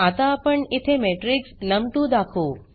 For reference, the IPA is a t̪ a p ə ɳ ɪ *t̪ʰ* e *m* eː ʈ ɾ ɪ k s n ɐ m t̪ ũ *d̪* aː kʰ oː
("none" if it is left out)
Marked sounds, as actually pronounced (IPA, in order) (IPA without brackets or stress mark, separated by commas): t̪ʰ, m, d̪